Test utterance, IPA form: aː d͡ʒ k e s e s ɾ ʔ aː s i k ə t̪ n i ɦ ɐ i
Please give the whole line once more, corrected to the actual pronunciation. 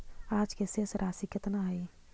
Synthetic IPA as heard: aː d͡ʒ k e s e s ɾ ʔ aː s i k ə t̪ n a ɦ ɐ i